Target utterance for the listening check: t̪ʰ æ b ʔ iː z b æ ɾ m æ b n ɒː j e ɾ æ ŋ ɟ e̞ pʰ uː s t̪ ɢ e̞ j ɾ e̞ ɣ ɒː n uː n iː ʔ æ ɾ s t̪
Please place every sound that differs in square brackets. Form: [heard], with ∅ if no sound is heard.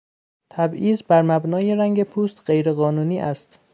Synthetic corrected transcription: t̪ʰ æ b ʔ iː z b æ ɾ m æ b n ɒː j e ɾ æ ŋ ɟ e̞ pʰ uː s t̪ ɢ e̞ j ɾ e̞ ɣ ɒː n uː n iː ʔ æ [∅] s t̪